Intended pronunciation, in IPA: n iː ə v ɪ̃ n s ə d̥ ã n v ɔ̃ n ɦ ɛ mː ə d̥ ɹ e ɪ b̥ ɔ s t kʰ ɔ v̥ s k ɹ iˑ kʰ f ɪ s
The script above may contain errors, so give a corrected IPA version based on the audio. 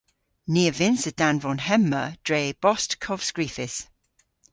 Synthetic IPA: n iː ə v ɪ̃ n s ə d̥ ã n v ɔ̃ n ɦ ɛ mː ə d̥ ɹ e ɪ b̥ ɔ s t kʰ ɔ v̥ s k ɹ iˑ f ɪ s